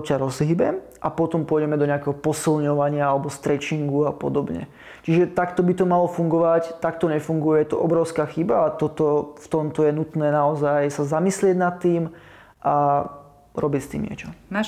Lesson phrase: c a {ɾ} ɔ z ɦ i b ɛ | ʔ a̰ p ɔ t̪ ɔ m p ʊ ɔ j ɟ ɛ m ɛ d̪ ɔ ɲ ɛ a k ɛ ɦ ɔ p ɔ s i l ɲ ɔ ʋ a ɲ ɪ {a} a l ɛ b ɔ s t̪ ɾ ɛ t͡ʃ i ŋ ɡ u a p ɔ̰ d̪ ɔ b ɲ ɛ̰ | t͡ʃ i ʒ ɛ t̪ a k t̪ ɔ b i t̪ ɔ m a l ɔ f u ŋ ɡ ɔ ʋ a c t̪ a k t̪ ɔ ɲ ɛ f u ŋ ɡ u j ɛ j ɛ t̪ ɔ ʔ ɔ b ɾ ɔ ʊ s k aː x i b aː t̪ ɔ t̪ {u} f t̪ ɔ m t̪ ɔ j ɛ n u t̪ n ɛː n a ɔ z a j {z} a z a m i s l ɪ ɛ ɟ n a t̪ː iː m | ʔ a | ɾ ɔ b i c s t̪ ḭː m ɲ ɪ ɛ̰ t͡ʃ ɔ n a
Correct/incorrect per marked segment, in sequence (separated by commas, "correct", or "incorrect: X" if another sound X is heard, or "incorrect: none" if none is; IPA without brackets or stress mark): correct, correct, incorrect: ɔ, incorrect: s